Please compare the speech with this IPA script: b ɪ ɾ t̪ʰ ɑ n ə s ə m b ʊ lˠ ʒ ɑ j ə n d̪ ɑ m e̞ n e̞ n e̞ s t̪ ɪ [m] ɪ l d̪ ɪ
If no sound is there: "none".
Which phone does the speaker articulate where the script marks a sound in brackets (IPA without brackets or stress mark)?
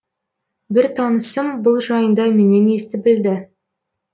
b